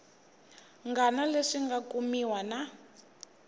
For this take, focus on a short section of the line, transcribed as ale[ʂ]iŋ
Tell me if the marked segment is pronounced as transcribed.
yes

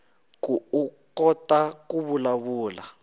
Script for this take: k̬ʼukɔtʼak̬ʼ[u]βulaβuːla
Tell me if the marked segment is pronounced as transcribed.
yes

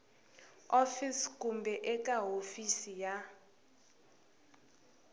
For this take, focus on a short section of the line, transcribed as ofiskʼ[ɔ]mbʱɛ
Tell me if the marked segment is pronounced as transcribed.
no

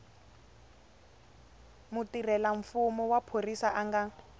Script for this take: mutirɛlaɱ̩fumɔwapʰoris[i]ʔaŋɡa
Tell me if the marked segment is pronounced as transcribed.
no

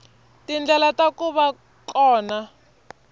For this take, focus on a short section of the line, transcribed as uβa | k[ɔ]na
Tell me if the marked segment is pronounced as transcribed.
no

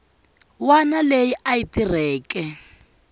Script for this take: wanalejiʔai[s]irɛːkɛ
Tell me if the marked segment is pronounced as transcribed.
no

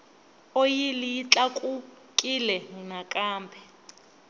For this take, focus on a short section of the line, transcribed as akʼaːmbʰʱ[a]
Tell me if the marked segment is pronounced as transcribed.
no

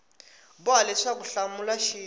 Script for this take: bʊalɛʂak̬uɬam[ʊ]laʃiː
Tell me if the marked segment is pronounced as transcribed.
no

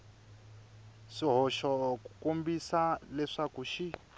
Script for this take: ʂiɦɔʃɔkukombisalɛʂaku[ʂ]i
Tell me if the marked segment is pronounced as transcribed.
no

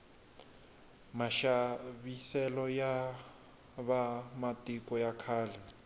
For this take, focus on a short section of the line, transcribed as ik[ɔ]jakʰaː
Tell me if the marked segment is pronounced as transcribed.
yes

